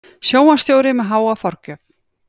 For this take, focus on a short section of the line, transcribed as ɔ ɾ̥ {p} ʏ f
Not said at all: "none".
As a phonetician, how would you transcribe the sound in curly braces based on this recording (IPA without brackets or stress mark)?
c